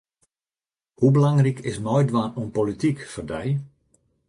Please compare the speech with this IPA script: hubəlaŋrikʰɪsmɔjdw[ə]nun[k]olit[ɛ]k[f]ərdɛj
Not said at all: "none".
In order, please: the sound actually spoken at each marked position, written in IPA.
a, p, i, f

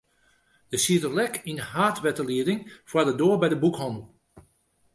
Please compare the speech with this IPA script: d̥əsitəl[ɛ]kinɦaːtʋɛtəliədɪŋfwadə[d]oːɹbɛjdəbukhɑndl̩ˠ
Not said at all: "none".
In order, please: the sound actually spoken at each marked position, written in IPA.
ɛ, d

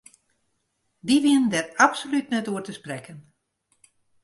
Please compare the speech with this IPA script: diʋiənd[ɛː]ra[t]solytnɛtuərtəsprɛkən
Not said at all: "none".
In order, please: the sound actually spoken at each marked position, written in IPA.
ɛ, p

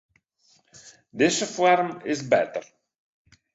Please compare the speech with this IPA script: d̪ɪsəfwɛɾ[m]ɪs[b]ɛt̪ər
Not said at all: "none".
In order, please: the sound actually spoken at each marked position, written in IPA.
m, b

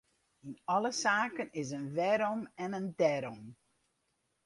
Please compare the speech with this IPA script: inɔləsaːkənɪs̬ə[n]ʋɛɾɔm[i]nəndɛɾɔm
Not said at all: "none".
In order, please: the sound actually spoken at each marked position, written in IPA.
n, ɛ

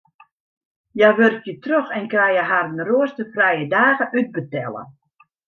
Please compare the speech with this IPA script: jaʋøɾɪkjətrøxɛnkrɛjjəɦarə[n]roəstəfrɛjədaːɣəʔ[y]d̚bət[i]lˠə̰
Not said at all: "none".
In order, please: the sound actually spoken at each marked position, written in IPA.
n, y, ɛ

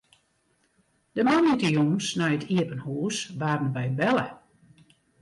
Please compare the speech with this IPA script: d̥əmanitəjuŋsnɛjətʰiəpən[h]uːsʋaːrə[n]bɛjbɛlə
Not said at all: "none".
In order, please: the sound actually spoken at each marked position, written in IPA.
h, n

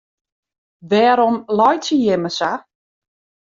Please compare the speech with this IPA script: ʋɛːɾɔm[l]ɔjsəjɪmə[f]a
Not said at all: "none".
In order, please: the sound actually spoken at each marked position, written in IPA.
l, s

